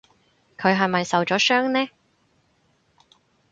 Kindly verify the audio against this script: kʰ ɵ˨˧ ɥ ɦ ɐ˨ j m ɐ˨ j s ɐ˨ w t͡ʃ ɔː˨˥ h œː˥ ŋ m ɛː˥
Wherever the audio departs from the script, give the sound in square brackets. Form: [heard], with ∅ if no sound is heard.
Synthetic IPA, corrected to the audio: kʰ ɵ˨˧ ɥ ɦ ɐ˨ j m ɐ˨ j s ɐ˨ w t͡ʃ ɔː˨˥ [s] œː˥ ŋ [n] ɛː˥